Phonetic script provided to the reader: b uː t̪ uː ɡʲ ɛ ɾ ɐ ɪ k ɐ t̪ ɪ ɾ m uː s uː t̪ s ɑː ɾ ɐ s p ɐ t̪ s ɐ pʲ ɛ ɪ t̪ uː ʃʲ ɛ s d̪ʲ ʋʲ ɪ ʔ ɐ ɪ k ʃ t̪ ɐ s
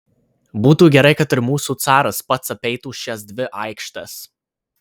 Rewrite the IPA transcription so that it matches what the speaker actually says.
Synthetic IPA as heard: b uː t̪ uː ɡʲ ɛ ɾ ɐ ɪ k ɐ t̪ ɪ ɾ m uː s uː t̪ s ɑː ɾ ɐ s p ɐ t̪ s ɐ pʲ ɛ ɪ t̪ uː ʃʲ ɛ s d̪ʲ ʋʲ ɪ ʔ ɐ ɪ k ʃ t̪ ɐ s